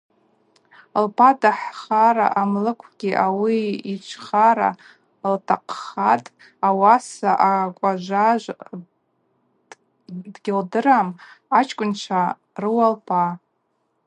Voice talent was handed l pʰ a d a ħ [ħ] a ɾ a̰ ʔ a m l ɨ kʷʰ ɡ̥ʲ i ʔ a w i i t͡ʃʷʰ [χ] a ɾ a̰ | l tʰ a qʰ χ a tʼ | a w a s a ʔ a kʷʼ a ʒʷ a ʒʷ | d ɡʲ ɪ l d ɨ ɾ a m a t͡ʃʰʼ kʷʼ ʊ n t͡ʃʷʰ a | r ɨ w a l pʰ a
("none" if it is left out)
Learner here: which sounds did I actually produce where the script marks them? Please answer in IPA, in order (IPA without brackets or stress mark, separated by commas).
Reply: χ, χ